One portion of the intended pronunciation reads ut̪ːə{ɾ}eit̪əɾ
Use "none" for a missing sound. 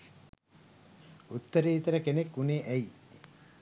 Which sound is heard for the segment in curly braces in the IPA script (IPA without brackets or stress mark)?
ɾ